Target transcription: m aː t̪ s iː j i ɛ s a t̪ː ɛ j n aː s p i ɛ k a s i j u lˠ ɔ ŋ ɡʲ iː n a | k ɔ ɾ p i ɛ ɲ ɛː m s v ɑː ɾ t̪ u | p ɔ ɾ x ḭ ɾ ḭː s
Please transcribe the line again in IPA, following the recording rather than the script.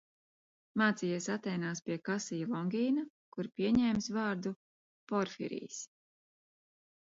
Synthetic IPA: m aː t̪ s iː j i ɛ s a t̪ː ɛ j n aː s p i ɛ k a s i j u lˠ ɔ ŋ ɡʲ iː n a | k u ɾ p i ɛ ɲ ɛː m s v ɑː ɾ d̪ u | p ɔ ɾ f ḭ ɾ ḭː s